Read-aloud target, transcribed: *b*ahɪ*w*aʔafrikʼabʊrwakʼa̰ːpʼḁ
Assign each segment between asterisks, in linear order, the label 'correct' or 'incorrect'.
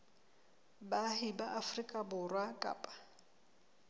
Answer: correct, incorrect: b

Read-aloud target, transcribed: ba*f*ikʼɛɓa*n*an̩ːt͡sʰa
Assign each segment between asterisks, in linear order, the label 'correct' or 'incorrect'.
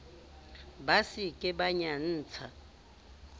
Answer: incorrect: s, incorrect: ɲ

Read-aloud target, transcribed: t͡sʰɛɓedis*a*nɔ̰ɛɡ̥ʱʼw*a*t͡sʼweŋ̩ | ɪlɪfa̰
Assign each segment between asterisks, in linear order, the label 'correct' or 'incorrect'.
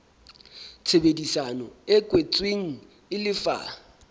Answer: correct, incorrect: e

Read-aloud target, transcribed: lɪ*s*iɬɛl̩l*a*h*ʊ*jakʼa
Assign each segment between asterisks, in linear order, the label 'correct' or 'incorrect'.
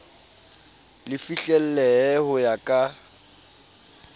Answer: incorrect: f, incorrect: ɛ, correct

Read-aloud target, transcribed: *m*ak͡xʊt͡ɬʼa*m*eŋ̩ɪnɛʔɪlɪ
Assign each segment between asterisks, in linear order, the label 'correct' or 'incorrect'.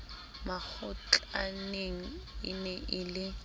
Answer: correct, incorrect: n

